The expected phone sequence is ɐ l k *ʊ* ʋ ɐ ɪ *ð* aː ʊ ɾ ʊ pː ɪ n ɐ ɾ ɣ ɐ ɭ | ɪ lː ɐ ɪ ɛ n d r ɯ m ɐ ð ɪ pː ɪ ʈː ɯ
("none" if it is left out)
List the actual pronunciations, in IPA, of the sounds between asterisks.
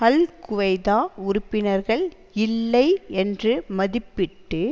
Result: ʊ, ð

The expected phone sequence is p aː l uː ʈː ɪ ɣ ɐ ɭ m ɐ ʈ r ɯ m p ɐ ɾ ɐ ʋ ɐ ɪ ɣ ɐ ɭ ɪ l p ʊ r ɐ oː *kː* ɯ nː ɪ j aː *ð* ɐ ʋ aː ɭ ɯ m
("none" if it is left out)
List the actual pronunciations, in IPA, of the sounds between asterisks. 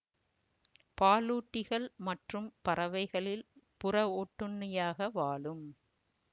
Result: ʈː, ɣ

